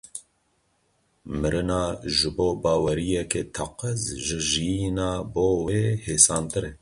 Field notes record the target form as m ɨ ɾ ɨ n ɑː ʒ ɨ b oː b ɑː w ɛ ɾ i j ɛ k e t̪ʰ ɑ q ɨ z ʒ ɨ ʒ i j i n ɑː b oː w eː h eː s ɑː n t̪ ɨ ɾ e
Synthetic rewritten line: m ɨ ɾ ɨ n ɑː ʒ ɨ b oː b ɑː w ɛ ɾ i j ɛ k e t̪ʰ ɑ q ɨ z ʒ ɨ ʒ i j i n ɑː b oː w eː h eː s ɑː n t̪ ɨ ɾ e